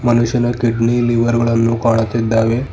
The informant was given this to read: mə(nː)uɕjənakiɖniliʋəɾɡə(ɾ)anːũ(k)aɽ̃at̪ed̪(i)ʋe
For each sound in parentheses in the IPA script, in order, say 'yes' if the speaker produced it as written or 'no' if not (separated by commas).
no, no, yes, no